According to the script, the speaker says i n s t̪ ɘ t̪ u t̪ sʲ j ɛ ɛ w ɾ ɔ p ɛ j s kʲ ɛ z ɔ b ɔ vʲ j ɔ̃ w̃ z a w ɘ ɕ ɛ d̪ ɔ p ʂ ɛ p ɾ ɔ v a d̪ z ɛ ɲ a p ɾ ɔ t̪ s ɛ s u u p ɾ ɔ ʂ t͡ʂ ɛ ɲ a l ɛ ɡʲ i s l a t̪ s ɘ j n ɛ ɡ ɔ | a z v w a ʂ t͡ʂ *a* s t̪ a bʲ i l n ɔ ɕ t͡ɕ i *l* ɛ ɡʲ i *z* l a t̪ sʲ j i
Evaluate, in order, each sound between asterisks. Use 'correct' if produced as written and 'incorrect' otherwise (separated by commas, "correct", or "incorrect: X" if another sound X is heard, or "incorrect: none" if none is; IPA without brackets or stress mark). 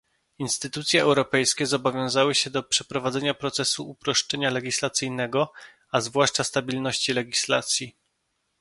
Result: correct, correct, incorrect: s